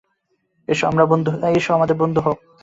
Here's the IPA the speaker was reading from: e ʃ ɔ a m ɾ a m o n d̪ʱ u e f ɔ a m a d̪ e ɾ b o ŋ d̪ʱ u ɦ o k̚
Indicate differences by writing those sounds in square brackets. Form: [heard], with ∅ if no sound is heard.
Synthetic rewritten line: e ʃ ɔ a m ɾ a [b] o n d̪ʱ u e [ʃ] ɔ a m a d̪ e ɾ b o [n] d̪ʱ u ɦ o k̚